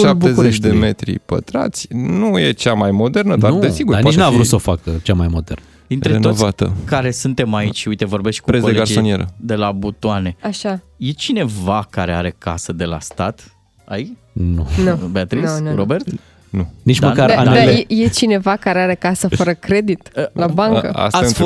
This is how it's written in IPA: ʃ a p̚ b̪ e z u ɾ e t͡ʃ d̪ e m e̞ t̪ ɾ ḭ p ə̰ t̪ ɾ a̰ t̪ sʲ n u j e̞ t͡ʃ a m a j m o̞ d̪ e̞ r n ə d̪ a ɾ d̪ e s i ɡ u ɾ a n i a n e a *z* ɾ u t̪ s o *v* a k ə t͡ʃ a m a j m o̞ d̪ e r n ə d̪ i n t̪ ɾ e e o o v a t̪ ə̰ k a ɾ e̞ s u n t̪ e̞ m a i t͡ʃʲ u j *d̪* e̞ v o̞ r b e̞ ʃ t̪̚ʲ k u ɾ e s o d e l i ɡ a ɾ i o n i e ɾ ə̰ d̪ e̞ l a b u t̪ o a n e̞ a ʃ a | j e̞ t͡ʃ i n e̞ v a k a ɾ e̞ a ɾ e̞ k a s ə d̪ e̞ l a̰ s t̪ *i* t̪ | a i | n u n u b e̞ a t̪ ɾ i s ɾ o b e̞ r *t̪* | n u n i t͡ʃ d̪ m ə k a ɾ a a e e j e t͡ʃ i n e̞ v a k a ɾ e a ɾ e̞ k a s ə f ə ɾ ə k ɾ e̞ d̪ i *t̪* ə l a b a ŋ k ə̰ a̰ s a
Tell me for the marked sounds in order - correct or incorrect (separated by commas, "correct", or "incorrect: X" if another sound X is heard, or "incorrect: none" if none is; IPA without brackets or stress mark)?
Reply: incorrect: v, incorrect: f, incorrect: t̪, incorrect: a, correct, correct